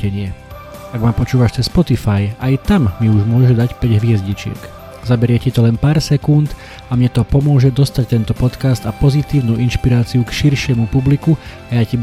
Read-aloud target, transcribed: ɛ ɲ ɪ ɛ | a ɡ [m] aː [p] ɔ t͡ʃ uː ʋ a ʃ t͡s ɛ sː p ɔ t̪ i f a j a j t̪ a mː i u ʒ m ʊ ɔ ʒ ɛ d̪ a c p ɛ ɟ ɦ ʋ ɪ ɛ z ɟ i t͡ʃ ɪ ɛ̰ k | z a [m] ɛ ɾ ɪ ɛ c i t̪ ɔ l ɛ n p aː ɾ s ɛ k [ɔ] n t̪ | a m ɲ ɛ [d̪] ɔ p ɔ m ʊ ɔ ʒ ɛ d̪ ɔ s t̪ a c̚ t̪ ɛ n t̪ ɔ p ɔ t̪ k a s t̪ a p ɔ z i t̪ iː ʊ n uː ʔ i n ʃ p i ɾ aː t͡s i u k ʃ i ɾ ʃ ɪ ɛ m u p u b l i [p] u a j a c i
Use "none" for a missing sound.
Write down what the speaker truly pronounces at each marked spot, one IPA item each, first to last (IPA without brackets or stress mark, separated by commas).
m, p, b, u, t̪, k